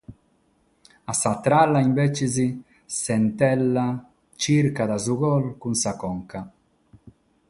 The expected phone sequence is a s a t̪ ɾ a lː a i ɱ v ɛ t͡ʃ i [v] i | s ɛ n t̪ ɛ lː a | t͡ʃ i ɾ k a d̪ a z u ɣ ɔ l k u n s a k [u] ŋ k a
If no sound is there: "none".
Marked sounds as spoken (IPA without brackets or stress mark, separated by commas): z, ɔ